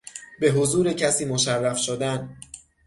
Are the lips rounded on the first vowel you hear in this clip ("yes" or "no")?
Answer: no